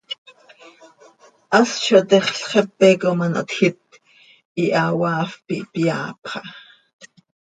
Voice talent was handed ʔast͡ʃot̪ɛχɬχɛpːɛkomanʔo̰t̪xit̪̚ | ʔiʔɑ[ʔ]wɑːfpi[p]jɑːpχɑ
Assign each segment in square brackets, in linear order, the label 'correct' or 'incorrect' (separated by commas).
incorrect, correct